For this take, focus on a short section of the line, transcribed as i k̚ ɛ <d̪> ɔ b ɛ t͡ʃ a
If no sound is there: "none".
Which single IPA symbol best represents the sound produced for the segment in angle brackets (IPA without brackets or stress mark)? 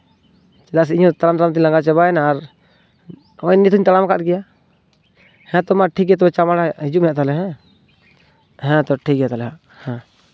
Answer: t̪